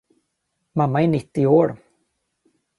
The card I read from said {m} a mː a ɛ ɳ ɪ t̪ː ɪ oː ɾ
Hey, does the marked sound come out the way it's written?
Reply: yes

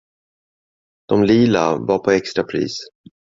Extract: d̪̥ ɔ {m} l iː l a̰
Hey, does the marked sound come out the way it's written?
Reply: yes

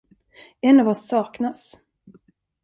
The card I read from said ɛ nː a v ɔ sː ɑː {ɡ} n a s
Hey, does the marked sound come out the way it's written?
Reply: no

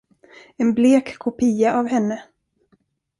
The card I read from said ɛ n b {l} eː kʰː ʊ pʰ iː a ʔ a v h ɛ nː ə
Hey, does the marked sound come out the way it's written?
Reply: yes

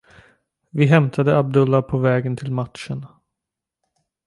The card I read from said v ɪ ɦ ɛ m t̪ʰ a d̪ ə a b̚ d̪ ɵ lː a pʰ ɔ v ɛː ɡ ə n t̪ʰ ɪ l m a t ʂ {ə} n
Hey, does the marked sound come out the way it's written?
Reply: yes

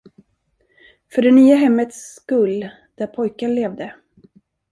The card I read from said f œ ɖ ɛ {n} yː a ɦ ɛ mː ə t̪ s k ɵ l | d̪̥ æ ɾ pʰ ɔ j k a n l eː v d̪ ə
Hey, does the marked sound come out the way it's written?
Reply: yes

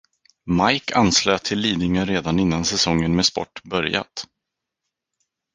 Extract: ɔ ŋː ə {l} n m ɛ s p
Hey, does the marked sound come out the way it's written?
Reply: no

